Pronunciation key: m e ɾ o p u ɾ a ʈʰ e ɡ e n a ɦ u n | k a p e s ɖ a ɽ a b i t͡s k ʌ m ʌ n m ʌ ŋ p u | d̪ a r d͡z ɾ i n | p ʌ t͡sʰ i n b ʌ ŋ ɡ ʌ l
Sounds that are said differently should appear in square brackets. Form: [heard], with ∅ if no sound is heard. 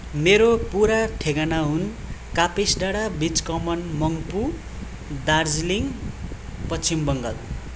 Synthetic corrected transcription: m e ɾ o p u ɾ a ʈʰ e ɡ [a] n a ɦ u n | k a p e s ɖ a ɽ a b i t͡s k ʌ m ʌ n m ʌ ŋ p u | d̪ a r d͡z [l] i [ŋ] | p ʌ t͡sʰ i [m] b ʌ ŋ ɡ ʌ l